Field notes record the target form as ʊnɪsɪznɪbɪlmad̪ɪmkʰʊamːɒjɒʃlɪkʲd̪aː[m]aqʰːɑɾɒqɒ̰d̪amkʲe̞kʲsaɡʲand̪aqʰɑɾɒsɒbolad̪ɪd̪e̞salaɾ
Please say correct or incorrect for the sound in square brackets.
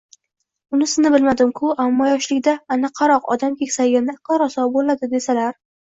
incorrect